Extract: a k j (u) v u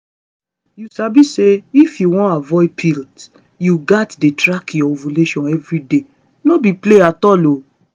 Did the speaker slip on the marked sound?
yes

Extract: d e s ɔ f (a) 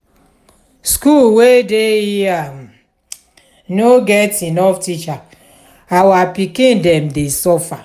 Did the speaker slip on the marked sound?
no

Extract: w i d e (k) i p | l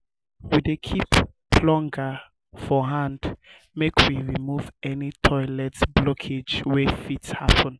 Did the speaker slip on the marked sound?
yes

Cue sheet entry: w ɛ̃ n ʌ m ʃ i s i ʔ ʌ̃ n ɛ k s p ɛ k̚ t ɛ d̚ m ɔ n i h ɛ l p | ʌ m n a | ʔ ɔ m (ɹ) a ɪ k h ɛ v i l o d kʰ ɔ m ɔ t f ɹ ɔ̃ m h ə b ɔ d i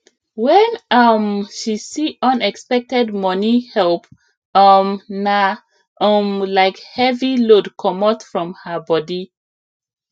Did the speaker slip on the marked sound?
yes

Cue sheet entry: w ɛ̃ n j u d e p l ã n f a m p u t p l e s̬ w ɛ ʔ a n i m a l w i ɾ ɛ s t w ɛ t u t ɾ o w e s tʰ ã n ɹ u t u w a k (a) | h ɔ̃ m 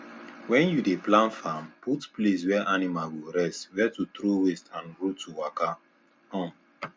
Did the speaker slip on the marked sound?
no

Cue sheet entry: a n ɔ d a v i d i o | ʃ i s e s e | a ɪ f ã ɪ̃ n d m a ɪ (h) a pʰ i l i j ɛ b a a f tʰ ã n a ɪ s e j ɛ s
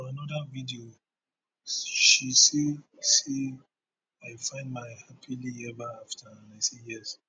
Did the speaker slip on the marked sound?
no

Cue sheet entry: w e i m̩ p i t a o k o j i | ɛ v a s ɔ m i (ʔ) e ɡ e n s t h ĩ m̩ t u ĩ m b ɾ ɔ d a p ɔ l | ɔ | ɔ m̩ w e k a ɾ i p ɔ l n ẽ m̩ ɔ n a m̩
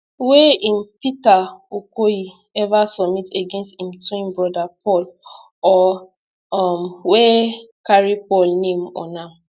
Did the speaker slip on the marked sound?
yes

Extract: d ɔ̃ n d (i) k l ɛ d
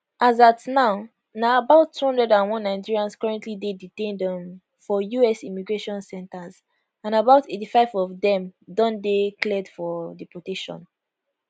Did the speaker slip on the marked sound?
yes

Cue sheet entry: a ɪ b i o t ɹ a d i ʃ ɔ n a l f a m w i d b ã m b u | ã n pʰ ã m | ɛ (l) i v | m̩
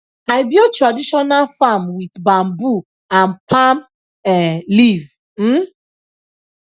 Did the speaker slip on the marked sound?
no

